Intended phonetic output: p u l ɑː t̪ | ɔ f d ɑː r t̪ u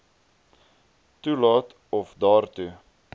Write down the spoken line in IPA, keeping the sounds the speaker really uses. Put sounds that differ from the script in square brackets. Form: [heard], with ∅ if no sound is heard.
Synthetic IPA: [t] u l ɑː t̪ | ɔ f d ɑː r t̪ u